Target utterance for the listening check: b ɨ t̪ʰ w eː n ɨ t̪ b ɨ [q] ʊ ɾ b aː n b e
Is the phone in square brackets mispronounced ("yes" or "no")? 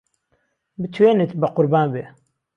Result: no